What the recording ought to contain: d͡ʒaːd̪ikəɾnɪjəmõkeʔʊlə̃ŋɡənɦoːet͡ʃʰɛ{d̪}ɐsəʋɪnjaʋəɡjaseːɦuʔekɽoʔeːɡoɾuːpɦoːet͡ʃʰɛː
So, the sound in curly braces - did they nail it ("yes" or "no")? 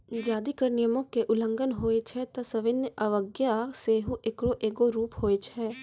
no